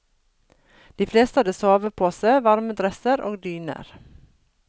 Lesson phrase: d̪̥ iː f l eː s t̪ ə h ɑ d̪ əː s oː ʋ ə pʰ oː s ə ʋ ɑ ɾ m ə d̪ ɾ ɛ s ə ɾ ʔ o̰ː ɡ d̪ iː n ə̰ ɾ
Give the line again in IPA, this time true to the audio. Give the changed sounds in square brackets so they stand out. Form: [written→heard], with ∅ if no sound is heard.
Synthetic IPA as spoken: d̪̥ iː f l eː s t̪ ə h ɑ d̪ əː s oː ʋ ə pʰ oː s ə ʋ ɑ ɾ m ə d̪ ɾ ɛ s ə ɾ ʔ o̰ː ɡ d̪ [iː→yː] n ə̰ ɾ